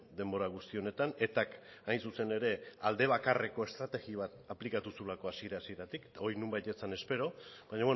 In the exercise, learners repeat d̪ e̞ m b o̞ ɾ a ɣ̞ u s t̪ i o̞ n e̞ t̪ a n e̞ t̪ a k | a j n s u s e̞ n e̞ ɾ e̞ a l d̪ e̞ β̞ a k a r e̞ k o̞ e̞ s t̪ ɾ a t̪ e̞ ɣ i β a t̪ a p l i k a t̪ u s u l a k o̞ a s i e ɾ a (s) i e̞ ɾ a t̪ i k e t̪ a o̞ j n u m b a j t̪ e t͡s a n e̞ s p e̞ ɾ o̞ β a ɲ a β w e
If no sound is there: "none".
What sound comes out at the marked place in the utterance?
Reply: s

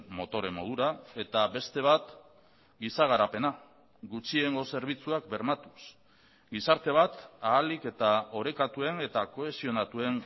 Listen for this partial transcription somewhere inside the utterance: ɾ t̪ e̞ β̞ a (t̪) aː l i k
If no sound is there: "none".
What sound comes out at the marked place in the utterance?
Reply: t̪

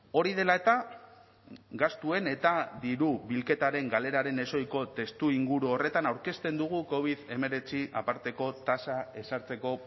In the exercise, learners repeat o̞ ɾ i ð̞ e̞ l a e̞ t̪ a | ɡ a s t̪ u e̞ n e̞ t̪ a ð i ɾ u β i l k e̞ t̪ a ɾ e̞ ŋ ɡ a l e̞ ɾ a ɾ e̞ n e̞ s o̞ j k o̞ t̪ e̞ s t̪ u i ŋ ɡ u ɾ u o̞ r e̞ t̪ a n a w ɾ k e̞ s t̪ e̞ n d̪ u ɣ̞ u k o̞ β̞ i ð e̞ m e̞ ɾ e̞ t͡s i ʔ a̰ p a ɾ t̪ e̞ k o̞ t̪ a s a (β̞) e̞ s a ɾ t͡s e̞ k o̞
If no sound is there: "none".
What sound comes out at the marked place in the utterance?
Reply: none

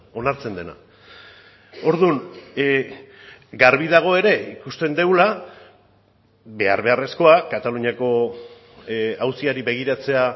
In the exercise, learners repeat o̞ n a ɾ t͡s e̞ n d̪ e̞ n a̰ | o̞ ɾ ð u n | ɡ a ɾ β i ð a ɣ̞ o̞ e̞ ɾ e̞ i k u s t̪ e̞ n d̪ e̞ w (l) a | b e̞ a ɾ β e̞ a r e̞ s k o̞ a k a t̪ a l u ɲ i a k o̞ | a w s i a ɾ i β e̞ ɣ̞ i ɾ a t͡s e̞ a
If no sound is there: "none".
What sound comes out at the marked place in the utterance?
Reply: l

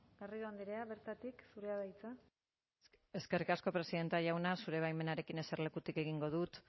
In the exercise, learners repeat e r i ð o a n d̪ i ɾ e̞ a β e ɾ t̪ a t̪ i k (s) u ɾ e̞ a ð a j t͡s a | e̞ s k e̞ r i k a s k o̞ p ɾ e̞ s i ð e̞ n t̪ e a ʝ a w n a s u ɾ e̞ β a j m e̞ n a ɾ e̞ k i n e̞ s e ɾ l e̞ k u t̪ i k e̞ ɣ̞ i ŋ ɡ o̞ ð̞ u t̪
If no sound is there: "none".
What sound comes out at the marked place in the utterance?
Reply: s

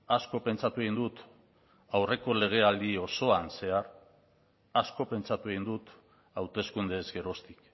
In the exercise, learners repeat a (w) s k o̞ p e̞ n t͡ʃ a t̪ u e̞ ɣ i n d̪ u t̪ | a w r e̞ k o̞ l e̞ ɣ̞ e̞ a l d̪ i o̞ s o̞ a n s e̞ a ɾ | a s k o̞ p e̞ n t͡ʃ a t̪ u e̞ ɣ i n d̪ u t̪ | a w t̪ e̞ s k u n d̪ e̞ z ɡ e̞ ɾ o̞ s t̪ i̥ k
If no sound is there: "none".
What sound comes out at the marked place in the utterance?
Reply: none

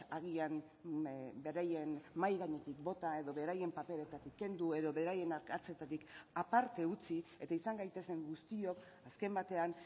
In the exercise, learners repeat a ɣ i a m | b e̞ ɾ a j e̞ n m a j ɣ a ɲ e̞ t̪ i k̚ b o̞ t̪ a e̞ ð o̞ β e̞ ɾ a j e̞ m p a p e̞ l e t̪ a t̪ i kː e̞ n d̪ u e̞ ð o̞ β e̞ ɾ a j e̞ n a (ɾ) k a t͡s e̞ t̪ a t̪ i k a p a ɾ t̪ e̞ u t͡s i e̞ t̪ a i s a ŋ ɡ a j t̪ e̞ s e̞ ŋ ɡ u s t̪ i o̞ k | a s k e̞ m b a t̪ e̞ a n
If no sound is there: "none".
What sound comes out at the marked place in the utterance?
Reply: ɾ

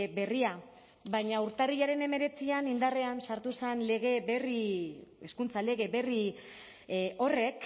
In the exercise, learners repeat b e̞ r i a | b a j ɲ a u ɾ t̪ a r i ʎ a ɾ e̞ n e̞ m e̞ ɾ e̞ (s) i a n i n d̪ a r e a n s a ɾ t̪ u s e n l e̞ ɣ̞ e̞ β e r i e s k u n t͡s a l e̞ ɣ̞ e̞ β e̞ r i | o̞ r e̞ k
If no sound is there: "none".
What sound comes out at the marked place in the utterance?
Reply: t͡s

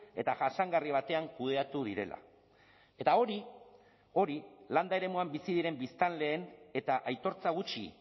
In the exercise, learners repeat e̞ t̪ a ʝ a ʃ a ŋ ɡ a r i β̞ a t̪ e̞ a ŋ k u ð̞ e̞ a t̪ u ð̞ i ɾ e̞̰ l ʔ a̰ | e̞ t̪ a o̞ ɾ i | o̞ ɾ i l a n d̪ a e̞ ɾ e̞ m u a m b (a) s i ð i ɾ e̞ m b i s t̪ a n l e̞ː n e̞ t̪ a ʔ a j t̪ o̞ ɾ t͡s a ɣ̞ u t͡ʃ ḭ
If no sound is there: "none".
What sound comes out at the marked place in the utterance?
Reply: i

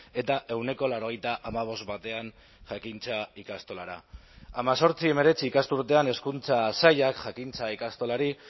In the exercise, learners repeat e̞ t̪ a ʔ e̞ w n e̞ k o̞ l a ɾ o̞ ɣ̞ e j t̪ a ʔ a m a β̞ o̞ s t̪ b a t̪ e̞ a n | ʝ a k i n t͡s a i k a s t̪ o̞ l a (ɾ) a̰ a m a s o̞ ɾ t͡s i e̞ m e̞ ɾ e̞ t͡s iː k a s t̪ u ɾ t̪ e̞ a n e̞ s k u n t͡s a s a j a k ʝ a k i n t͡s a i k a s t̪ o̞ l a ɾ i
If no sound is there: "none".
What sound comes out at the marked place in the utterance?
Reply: ɾ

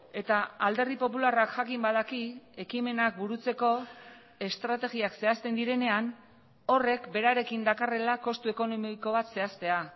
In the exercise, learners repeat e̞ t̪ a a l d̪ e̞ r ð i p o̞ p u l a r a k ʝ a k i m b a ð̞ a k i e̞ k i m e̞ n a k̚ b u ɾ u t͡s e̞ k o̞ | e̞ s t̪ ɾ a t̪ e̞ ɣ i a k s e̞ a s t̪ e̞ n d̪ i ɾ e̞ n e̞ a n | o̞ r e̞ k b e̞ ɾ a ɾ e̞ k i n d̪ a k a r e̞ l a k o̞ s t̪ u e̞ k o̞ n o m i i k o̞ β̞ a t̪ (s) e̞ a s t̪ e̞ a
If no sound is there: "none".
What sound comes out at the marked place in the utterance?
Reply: s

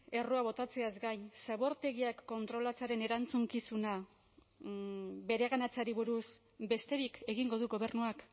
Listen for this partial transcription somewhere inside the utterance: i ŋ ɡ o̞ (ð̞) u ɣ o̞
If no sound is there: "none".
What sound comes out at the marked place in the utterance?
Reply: ð̞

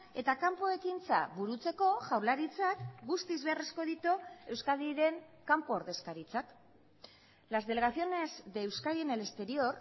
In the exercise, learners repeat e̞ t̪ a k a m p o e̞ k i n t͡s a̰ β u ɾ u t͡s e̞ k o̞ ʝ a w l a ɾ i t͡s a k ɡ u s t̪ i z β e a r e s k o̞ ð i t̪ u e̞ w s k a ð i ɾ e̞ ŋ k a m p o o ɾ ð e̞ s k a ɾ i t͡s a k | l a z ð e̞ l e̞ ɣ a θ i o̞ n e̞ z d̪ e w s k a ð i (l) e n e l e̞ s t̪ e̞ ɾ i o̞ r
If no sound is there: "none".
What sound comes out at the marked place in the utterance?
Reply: none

